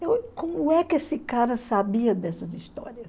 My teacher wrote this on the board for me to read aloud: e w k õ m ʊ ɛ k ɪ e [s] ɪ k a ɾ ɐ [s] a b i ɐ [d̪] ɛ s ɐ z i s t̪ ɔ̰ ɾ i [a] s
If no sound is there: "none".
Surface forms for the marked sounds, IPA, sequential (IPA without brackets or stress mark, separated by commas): s, s, d̪, ɐ